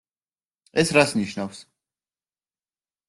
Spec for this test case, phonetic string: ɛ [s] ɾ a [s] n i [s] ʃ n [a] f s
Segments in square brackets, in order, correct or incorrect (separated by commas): correct, correct, incorrect, correct